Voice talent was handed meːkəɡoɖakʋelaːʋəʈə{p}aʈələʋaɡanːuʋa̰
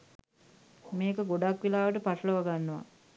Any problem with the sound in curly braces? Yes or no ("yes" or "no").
no